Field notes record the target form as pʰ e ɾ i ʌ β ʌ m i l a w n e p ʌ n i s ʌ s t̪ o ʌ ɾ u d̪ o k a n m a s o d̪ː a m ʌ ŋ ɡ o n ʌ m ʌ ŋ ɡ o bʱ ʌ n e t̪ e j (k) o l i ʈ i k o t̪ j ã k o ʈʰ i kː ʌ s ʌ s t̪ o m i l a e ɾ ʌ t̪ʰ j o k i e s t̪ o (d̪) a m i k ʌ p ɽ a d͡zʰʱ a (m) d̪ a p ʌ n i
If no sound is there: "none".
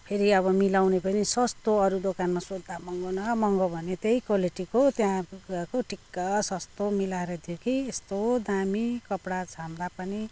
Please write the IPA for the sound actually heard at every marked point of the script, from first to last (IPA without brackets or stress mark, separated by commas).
k, d̪, m